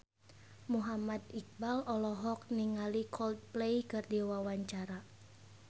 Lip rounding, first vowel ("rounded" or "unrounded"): rounded